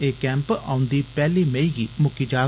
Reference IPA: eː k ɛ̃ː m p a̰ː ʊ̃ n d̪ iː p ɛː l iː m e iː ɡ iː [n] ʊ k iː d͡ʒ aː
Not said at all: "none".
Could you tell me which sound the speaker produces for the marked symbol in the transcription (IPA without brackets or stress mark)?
m